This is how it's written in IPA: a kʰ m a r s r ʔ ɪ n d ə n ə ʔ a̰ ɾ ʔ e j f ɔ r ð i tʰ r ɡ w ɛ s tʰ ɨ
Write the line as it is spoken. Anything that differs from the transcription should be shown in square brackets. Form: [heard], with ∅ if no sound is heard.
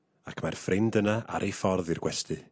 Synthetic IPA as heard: a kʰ m a r [f] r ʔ ɪ n d ə n [a] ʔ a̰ ɾ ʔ e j f ɔ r ð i [∅] r ɡ w ɛ s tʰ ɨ

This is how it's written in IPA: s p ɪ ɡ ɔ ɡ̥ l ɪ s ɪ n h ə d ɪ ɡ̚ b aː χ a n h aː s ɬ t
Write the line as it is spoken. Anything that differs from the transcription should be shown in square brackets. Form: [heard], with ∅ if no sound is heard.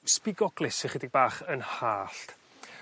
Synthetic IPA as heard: s p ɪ ɡ ɔ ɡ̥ l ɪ s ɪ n [χ] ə d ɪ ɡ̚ b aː χ [ə] n h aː [∅] ɬ t

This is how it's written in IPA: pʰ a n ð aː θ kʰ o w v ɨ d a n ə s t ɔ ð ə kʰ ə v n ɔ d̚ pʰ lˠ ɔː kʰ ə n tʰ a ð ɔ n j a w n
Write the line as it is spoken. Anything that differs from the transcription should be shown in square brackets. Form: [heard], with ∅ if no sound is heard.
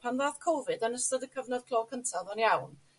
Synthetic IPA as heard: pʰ a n ð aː θ kʰ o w v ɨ d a n ə s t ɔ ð ə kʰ ə v n ɔ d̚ [kʰ] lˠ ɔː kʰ ə n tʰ a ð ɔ n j a w n

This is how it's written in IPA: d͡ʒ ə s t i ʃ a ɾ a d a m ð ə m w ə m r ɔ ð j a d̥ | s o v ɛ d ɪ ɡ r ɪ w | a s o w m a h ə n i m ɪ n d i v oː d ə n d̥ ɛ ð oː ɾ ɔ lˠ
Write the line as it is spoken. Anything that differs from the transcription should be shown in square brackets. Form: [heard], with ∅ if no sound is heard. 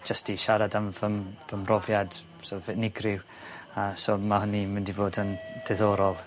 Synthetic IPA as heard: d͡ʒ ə s t i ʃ a ɾ a d a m [v] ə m [v] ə m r ɔ [v] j a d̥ | s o v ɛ [n] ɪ ɡ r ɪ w | a s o [∅] m a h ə n i m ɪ n d i v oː d ə n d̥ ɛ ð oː ɾ ɔ lˠ

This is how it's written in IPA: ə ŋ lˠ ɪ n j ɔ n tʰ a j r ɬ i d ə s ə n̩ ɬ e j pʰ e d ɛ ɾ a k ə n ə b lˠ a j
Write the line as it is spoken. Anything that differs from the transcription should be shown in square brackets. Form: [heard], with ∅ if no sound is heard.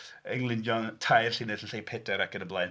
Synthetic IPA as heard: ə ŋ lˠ ɪ n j ɔ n tʰ a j r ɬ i [n] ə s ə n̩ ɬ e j pʰ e d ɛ ɾ a k ə n ə b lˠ a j

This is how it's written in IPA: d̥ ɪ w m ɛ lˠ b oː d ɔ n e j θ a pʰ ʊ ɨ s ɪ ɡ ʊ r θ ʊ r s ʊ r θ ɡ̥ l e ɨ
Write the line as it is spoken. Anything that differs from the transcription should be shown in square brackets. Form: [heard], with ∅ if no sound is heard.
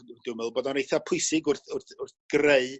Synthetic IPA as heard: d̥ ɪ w m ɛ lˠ b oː d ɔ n e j θ a pʰ ʊ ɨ s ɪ ɡ ʊ r θ ʊ r [θ] ʊ r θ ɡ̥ [r] e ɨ

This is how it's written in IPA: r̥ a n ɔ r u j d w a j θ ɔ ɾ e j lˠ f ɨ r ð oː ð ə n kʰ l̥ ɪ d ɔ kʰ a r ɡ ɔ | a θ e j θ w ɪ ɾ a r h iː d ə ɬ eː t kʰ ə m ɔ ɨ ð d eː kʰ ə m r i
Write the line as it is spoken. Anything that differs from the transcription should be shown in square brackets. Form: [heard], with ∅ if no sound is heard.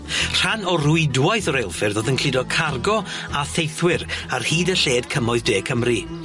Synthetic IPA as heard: r̥ a n ɔ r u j d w a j θ ɔ ɾ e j lˠ f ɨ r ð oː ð ə n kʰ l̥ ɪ d ɔ kʰ a r ɡ ɔ | a θ e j θ w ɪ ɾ a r h iː d ə ɬ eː [d] kʰ ə m ɔ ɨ ð d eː kʰ ə m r i

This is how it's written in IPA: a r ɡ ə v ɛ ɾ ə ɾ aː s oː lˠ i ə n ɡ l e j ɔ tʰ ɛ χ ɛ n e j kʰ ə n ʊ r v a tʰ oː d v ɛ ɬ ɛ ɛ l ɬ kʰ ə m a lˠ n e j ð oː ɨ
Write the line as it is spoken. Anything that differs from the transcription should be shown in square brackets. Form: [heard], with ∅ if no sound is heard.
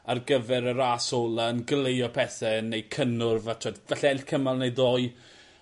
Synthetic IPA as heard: a r ɡ ə v ɛ ɾ ə ɾ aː s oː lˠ [a] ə n ɡ l e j ɔ [pʰ] ɛ [θ] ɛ n e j kʰ ə n ʊ r v a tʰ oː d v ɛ ɬ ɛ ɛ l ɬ kʰ ə m a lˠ n e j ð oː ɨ

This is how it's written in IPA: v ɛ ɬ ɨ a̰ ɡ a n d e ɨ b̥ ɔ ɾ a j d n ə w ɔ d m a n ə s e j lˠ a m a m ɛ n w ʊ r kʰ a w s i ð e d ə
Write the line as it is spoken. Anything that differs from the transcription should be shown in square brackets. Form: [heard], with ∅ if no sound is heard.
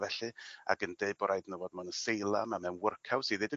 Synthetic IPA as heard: v ɛ ɬ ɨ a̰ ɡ [ə] n d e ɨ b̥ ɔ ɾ a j d n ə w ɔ d m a n ə s e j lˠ a m a m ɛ n w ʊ r kʰ a w s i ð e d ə

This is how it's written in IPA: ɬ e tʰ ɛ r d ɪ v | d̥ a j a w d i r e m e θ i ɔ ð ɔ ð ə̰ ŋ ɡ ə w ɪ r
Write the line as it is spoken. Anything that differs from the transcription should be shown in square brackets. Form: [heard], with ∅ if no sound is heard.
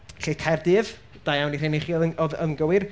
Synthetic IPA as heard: ɬ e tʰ ɛ r d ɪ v | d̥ a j a w [n] i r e [n] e [χ] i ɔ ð ɔ ð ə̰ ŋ ɡ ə w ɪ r

